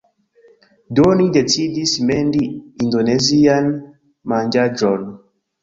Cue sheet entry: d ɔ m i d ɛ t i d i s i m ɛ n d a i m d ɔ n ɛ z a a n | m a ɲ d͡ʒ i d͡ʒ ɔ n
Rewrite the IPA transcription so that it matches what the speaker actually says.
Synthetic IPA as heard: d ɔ n i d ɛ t i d i s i m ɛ n d i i n d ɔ n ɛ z i a n | m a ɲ d͡ʒ a d͡ʒ ɔ n